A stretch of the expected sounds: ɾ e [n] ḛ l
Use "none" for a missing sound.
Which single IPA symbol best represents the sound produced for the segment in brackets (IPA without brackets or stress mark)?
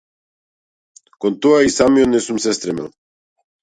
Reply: m